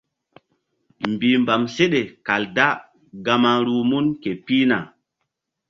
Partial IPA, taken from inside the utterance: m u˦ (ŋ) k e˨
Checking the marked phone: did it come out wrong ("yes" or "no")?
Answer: yes